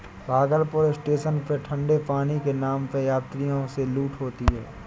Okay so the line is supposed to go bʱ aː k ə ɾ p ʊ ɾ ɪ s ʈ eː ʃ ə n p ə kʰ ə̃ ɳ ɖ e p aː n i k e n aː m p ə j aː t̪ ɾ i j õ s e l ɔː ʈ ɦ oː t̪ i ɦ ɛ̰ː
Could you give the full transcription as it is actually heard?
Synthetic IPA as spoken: bʱ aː ɡ ə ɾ p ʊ ɾ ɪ s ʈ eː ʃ ə n p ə ʈʰ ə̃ ɳ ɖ e p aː n i k e n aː m p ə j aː t̪ ɾ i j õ s e l uː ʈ ɦ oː t̪ i ɦ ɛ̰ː